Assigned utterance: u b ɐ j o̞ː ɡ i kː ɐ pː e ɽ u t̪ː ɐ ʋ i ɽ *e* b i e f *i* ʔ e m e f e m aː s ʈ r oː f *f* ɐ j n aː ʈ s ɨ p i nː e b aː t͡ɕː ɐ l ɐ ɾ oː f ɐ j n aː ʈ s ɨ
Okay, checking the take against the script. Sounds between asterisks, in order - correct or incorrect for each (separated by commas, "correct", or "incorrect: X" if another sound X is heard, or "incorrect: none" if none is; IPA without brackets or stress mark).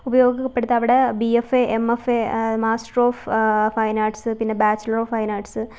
correct, incorrect: e, correct